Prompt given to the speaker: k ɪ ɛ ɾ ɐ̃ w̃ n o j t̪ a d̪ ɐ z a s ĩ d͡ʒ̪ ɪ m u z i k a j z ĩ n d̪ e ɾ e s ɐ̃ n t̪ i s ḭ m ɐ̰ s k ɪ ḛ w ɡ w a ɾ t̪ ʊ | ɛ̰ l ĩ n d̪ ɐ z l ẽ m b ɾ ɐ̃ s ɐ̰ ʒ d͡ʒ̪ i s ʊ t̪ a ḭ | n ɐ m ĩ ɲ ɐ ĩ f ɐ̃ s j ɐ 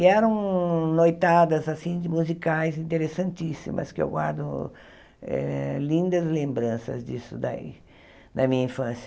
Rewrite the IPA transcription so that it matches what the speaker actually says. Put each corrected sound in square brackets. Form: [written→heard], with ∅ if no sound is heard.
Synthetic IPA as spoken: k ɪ ɛ ɾ ɐ̃ w̃ n o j t̪ a d̪ ɐ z a s ĩ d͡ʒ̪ ɪ m u z i k a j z ĩ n [d̪→t̪] e ɾ e s ɐ̃ n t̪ i s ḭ m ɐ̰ s k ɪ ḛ w ɡ w a ɾ [t̪→d̪] ʊ | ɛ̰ l ĩ n d̪ ɐ z l ẽ m b ɾ ɐ̃ s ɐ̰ [ʒ→z] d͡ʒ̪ i s ʊ [t̪→d̪] a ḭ | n ɐ m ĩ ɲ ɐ ĩ f ɐ̃ s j ɐ

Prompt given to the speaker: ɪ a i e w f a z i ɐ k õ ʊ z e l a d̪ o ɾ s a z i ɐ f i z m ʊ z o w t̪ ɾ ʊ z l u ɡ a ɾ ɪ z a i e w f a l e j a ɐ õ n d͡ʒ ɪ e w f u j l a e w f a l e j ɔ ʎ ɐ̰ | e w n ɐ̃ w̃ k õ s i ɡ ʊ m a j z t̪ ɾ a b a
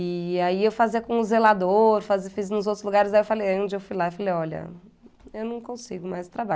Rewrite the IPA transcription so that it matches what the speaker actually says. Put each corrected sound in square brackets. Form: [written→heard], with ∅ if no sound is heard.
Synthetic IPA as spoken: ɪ a i e w f a z i ɐ k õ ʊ z e l a d̪ o ɾ [s→f] a z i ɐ f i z [m→n] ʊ z o w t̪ ɾ ʊ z l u ɡ a ɾ ɪ z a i e w f a l e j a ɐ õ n d͡ʒ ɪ e w f u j l a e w f a l e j ɔ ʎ ɐ̰ | e w n ɐ̃ w̃ k õ s i ɡ ʊ m a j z t̪ ɾ a b a

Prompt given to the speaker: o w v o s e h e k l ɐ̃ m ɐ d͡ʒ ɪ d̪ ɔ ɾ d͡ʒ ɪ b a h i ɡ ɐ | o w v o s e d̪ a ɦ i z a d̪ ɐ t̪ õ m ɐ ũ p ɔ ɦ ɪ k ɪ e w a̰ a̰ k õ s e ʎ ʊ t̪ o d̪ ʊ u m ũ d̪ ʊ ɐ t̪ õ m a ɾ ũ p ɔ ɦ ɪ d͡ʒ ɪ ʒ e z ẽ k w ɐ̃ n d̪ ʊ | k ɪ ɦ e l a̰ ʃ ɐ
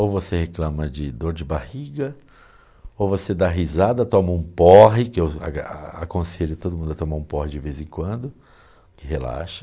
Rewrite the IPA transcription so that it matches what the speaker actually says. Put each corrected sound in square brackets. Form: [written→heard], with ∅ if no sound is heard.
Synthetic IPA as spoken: o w v o s e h e k l ɐ̃ m ɐ d͡ʒ ɪ d̪ [ɔ→o] ɾ d͡ʒ ɪ b a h i ɡ ɐ | o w v o s e d̪ a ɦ i z a d̪ ɐ t̪ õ m ɐ ũ p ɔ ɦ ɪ k ɪ e w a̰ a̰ k õ s e ʎ ʊ t̪ o d̪ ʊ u m ũ d̪ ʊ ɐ t̪ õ m a ɾ ũ p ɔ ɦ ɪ d͡ʒ ɪ [ʒ→v] e z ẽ k w ɐ̃ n d̪ ʊ | k ɪ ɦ e l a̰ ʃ ɐ

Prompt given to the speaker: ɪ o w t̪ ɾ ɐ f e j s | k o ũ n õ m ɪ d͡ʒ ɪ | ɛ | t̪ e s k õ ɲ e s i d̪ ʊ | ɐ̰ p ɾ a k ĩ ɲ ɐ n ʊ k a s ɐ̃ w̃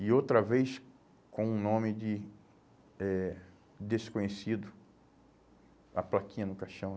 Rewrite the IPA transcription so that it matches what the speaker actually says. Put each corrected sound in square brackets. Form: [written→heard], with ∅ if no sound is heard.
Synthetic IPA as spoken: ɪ o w t̪ ɾ ɐ [f→v] e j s | k [o→õ] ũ n õ m ɪ d͡ʒ ɪ | ɛ | [t̪→d̪] e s k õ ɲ e s i d̪ ʊ | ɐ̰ p [ɾ→l] a k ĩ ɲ ɐ n ʊ k a [s→ʃ] ɐ̃ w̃

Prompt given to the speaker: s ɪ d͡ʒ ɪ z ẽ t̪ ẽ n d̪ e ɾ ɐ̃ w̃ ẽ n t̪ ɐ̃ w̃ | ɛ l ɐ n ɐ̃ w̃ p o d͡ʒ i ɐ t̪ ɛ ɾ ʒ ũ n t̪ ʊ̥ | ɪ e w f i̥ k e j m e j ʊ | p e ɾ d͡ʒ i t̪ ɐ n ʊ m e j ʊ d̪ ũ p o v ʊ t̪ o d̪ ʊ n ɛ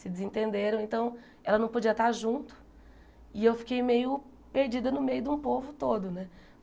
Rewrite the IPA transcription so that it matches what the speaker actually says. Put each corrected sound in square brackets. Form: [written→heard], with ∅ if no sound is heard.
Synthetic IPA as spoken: s ɪ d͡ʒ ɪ z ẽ t̪ ẽ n d̪ e ɾ ɐ̃ w̃ ẽ n t̪ ɐ̃ w̃ | ɛ l ɐ n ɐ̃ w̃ p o d͡ʒ i ɐ t̪ [ɛ→a] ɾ ʒ ũ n t̪ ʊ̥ | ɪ e w f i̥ k e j m e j ʊ | p e ɾ d͡ʒ i [t̪→d̪] ɐ n ʊ m e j ʊ d̪ ũ p o v ʊ t̪ o d̪ ʊ n ɛ

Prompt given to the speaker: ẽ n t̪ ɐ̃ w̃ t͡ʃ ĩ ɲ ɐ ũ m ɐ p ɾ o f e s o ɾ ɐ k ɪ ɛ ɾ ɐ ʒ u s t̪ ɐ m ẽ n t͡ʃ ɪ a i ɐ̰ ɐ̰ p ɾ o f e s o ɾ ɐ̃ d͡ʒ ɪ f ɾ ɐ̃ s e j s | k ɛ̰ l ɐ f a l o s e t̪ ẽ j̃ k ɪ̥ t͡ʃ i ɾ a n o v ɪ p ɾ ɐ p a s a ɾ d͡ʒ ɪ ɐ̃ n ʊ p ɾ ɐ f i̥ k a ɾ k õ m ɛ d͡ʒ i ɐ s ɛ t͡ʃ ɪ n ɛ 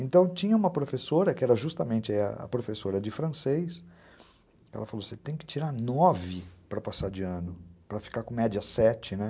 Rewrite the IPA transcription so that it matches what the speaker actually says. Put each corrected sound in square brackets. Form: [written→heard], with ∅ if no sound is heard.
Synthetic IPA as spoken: ẽ n t̪ ɐ̃ w̃ t͡ʃ ĩ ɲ ɐ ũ m ɐ p ɾ o f e s o ɾ ɐ k ɪ ɛ ɾ ɐ ʒ u s t̪ ɐ m ẽ n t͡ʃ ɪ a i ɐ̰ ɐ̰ p ɾ o f e s o ɾ [ɐ̃→ɐ] d͡ʒ ɪ f ɾ ɐ̃ s e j s | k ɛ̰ l ɐ f a l o s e t̪ ẽ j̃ k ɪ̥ t͡ʃ i ɾ a n [o→ɔ] v ɪ p ɾ ɐ p a s a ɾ d͡ʒ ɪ ɐ̃ n ʊ p ɾ ɐ f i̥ k a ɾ k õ m ɛ d͡ʒ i ɐ s ɛ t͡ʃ ɪ n ɛ

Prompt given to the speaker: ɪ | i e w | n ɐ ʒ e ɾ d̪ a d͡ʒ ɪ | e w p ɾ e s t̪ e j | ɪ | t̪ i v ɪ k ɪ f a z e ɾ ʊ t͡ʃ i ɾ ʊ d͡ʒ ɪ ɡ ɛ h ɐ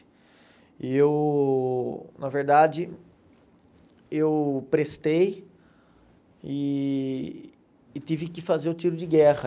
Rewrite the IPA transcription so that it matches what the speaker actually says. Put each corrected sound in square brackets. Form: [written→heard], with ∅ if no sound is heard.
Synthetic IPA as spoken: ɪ | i e w | n ɐ [ʒ→v] e ɾ d̪ a d͡ʒ ɪ | e w p ɾ e s t̪ e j | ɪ | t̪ i v ɪ k ɪ f a z e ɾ ʊ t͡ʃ i ɾ ʊ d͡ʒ ɪ ɡ ɛ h ɐ

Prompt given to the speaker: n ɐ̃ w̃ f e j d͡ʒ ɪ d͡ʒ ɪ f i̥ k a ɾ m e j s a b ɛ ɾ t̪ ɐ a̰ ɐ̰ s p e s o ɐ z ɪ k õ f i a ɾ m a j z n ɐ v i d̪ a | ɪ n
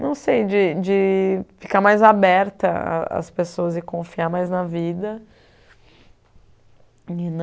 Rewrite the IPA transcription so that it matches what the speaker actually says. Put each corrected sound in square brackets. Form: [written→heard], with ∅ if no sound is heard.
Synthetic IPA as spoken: n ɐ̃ w̃ [f→s] e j d͡ʒ ɪ d͡ʒ ɪ f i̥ k a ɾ m [e→a] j [s→z] a b ɛ ɾ t̪ ɐ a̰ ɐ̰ s p e s o ɐ z ɪ k õ f i a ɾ m a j z n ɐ v i d̪ [a→ɐ] | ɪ n

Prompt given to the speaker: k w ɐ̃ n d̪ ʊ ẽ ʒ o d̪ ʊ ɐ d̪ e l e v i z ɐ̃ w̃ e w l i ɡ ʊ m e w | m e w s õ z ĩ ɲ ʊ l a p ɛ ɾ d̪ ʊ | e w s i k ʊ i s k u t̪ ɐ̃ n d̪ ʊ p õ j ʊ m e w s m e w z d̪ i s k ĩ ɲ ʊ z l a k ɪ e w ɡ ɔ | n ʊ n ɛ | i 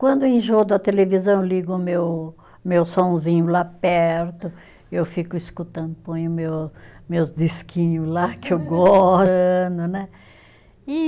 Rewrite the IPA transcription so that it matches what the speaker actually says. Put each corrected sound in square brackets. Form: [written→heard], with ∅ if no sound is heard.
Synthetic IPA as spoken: k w ɐ̃ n d̪ ʊ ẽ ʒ o d̪ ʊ ɐ [d̪→t̪] e l e v i z ɐ̃ w̃ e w l i ɡ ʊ m e w | m e w s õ z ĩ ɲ ʊ l a p ɛ ɾ [d̪→t̪] ʊ | e w [s→f] i k ʊ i s k u t̪ ɐ̃ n d̪ ʊ p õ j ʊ m e w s m e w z d̪ i s k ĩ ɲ ʊ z l a k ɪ e w ɡ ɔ | n ʊ n ɛ | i

